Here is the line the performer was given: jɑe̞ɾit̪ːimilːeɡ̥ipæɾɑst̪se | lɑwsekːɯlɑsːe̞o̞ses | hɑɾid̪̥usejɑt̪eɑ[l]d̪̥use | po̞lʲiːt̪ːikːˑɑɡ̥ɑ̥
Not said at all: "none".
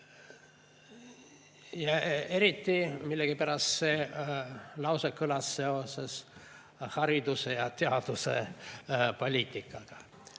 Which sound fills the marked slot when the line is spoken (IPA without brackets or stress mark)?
none